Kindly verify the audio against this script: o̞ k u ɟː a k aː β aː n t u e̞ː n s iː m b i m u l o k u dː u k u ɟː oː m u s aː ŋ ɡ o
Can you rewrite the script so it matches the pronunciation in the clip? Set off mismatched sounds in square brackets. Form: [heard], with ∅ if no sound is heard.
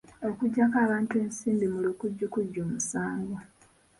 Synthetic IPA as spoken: o̞ k u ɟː a k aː β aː n t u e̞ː n s iː m b i m u l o k u [ɟː] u k u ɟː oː m u s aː ŋ ɡ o

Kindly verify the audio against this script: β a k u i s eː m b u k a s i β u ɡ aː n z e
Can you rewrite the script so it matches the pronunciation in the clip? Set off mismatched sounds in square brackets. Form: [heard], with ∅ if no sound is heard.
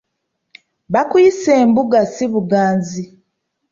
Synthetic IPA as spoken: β a k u i s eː m b u [ɡ] a s i β u ɡ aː n z [i]

